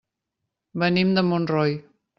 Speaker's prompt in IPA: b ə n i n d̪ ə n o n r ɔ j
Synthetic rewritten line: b ə n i m d̪ ə m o n r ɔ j